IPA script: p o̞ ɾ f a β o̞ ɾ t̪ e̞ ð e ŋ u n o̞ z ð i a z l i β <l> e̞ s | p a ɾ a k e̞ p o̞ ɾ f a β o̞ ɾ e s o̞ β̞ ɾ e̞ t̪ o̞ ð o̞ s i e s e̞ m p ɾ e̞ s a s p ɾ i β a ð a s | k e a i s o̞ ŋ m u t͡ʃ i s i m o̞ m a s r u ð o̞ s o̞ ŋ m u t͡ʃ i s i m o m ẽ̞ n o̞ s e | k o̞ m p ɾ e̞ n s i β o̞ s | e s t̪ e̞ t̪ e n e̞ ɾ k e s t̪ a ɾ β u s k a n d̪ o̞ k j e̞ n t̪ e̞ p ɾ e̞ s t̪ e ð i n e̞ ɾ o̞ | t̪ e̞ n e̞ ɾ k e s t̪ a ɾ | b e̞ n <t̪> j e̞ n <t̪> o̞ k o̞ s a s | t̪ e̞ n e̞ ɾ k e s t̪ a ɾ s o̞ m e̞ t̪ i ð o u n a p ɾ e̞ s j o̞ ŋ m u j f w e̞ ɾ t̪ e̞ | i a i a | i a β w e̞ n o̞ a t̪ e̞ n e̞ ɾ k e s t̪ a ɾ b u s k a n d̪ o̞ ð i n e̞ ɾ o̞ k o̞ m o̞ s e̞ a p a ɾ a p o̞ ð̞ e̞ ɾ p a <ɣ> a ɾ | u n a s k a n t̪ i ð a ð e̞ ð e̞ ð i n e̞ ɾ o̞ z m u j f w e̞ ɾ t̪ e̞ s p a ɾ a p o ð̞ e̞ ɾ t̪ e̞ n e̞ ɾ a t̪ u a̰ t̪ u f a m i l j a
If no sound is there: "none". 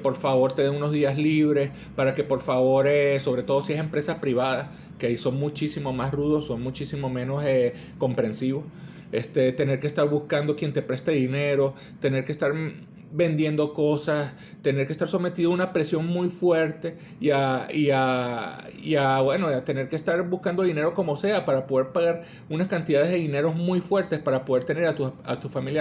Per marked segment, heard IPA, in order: ɾ, d̪, d̪, ɣ

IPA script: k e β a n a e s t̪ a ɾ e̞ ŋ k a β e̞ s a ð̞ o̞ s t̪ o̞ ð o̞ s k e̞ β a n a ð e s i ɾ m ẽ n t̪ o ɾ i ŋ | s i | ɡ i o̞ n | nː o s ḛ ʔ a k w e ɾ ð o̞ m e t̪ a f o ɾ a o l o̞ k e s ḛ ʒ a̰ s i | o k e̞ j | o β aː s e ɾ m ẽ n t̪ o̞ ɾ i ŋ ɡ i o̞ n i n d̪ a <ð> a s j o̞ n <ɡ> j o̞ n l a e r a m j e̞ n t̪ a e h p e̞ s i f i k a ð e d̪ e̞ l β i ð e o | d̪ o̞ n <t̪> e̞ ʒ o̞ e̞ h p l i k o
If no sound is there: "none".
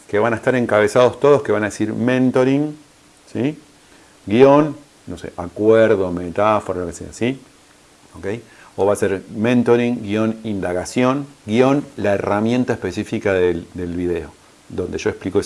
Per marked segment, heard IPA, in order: ɣ, ɡ, d̪

